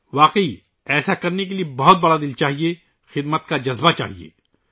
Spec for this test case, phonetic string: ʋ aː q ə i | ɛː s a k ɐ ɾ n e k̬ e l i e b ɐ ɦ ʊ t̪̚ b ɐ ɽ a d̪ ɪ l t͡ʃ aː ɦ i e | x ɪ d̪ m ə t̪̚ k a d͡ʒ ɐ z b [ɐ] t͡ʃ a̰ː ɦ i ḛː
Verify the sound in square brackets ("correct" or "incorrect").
incorrect